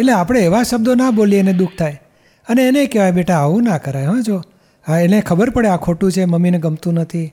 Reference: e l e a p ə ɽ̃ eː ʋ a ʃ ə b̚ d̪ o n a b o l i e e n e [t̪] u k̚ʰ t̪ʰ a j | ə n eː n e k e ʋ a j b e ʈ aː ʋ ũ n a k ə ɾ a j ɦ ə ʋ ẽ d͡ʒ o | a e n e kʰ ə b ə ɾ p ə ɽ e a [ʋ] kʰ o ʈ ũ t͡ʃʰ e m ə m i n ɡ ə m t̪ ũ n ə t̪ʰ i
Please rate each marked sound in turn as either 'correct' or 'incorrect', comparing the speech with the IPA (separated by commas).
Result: incorrect, incorrect